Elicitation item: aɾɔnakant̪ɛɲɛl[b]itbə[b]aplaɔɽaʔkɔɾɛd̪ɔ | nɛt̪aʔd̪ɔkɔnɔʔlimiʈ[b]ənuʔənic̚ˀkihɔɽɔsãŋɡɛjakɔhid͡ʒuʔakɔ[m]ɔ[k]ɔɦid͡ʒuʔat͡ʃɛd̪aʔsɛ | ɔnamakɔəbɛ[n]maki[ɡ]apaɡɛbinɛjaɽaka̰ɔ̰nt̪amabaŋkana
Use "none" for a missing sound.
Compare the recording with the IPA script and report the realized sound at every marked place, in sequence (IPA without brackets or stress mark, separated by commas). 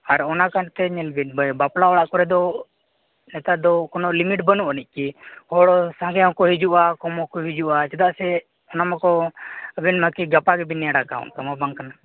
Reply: b, b, b, m, k, n, ɡ